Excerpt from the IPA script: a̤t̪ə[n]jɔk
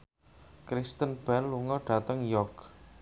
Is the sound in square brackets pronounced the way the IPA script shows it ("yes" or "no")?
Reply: no